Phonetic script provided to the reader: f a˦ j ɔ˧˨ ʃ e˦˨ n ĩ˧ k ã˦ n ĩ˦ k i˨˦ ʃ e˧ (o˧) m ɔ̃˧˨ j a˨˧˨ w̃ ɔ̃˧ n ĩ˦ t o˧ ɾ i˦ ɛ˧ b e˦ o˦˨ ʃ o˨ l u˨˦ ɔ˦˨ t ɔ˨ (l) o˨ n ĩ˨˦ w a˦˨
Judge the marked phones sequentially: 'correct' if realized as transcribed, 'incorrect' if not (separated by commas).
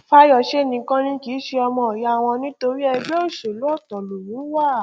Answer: incorrect, correct